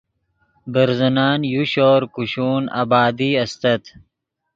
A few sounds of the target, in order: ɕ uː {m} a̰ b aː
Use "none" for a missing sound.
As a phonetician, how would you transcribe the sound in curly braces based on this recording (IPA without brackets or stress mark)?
n